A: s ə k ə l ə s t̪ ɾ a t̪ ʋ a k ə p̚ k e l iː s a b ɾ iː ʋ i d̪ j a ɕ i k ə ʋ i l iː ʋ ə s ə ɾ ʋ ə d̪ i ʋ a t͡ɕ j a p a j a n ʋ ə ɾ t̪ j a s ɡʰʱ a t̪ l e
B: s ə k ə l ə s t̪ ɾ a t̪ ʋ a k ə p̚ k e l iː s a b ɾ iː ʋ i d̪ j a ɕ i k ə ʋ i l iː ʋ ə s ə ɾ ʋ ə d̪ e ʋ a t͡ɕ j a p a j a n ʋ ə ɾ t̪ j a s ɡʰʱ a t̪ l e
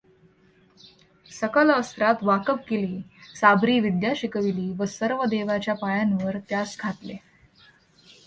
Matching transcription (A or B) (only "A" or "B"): B